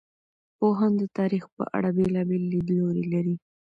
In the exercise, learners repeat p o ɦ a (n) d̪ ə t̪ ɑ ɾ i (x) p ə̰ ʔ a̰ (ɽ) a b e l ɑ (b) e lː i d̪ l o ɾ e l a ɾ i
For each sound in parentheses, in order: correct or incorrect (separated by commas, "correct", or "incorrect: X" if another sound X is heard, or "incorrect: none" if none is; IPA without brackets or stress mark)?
correct, correct, correct, correct